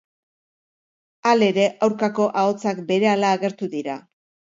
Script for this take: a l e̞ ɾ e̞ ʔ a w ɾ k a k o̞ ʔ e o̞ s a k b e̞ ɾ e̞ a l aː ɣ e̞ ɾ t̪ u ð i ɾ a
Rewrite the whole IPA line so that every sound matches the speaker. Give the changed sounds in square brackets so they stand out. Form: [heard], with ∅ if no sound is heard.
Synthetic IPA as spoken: a l e̞ ɾ e̞ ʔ a w ɾ k a k o̞ ʔ [a] o̞ [t͡s] a k b e̞ ɾ e̞ a l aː ɣ e̞ ɾ t̪ u ð i ɾ a